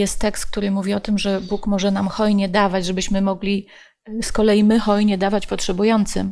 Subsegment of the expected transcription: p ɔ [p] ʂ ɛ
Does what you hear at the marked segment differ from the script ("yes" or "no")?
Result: yes